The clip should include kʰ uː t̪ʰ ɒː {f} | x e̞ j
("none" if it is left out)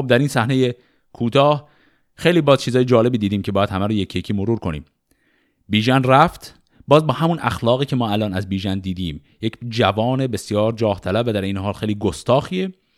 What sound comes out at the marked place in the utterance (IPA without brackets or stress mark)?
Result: h